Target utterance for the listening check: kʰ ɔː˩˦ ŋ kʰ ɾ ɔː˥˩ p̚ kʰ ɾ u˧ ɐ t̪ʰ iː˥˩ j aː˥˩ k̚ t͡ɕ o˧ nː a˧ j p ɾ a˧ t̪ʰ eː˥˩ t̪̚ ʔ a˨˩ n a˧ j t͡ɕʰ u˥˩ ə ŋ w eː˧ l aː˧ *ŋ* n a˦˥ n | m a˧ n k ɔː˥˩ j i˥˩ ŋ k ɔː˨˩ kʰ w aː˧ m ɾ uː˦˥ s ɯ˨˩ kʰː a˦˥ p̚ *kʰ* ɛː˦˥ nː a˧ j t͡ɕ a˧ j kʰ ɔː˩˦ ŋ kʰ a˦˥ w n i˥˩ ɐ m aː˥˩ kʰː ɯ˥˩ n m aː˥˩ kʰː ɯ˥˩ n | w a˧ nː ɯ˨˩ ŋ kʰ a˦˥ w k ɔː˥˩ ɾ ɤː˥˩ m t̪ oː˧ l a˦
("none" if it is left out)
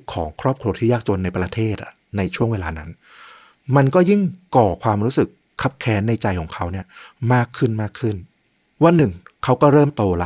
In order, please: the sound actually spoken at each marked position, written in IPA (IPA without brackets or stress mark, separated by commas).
none, kʰ